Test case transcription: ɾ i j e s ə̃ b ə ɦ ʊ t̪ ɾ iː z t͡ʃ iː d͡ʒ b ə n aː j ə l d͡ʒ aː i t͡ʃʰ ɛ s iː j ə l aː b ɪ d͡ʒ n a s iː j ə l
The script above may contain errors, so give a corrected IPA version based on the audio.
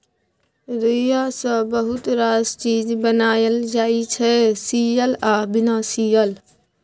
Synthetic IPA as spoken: ɾ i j a s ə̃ b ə ɦ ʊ t̪ ɾ aː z t͡ʃ iː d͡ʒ b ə n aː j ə l d͡ʒ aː i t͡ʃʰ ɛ s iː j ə l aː b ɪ n a s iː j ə l